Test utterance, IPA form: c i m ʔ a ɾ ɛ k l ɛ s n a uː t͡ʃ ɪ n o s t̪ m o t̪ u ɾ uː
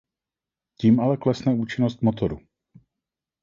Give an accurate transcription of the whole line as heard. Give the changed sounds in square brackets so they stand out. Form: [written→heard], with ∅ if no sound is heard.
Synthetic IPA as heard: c [i→iː] m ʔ a [ɾ→l] ɛ k l ɛ s n [a→ɛ] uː t͡ʃ ɪ n o s t̪ m o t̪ [u→o] ɾ [uː→u]